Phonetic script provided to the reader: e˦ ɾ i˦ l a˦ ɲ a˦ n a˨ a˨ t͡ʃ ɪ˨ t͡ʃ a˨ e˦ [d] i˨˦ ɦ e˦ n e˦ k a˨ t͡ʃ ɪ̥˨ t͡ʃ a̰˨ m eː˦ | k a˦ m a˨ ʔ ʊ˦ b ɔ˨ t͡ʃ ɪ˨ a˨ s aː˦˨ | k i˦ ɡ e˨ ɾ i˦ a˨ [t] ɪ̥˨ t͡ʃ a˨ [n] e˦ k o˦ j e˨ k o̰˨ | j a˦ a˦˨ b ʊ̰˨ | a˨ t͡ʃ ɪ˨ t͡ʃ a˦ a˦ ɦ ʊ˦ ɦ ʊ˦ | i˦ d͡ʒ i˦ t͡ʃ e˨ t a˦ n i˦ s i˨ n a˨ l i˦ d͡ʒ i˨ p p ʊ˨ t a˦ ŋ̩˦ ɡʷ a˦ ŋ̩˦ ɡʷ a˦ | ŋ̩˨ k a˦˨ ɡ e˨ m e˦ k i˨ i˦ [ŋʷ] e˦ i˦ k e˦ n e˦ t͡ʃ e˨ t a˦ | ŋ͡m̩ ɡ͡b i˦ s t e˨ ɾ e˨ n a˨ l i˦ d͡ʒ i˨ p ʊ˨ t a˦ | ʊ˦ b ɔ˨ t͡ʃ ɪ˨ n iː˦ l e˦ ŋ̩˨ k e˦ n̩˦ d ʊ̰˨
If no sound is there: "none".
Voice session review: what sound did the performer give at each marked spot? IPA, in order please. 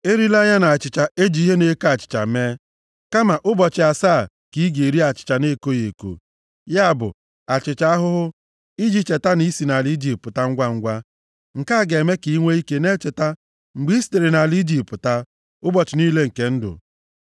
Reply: d͡ʒ, t͡ʃ, n, ŋʷ

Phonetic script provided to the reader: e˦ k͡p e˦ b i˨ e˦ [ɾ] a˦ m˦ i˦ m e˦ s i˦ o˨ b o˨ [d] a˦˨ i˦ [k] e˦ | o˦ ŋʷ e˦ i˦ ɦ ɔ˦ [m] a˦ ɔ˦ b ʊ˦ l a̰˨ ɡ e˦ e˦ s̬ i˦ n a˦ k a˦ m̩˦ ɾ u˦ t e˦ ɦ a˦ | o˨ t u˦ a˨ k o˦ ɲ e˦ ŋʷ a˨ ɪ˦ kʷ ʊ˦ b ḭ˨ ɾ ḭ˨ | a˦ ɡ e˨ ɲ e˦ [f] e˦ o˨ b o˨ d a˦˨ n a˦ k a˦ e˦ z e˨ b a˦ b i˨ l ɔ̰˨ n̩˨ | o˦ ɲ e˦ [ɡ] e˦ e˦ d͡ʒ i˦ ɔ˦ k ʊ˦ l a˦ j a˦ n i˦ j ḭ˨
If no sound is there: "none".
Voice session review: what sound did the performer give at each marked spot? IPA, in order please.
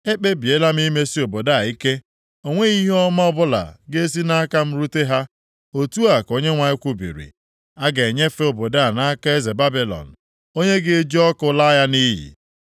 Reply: l, d, k, m, f, ɡ

